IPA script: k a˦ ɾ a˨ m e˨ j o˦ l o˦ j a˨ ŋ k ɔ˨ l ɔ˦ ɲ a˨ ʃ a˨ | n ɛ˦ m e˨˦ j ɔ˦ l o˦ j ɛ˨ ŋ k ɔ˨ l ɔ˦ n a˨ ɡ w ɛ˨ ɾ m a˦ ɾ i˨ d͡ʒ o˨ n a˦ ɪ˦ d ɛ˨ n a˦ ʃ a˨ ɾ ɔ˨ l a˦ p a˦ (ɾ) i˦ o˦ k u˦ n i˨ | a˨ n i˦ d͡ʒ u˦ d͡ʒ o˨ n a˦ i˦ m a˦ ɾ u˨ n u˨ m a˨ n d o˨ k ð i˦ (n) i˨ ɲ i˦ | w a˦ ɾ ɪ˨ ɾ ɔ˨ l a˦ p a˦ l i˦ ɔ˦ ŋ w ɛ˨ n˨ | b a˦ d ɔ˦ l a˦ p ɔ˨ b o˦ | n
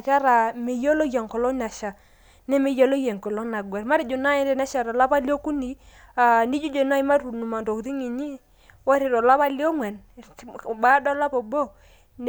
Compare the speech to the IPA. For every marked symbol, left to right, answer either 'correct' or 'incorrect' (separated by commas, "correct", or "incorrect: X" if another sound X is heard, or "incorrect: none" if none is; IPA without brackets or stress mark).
incorrect: l, incorrect: ŋ